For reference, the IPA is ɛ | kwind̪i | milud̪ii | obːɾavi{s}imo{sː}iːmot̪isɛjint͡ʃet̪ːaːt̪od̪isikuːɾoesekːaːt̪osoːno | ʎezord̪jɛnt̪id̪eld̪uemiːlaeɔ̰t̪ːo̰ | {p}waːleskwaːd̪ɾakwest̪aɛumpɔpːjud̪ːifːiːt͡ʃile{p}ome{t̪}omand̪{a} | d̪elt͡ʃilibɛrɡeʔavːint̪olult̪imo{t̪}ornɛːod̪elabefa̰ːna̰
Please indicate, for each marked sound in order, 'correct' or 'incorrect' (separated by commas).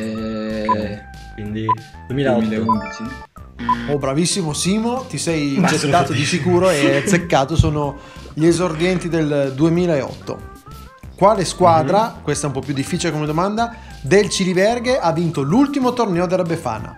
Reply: incorrect, incorrect, incorrect, incorrect, incorrect, correct, correct